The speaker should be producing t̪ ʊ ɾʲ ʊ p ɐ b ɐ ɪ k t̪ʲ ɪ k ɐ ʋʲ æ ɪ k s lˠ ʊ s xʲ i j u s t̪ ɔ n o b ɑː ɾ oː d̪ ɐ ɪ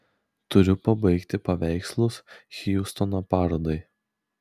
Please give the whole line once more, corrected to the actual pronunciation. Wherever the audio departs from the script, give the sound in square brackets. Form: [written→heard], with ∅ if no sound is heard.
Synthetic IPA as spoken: t̪ ʊ ɾʲ ʊ p ɐ b ɐ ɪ k t̪ʲ ɪ [k→p] ɐ ʋʲ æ ɪ k s lˠ ʊ s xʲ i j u s t̪ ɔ n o [b→p] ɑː ɾ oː d̪ ɐ ɪ